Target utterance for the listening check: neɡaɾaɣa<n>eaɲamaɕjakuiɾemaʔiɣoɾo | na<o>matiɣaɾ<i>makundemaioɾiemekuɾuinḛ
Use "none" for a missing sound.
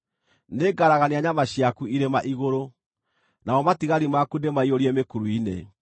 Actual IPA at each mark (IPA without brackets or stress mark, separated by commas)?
n, ɔ, i